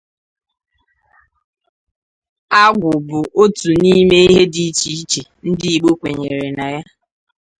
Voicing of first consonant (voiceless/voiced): voiced